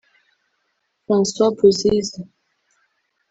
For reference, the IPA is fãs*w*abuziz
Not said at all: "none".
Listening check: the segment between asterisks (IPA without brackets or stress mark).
w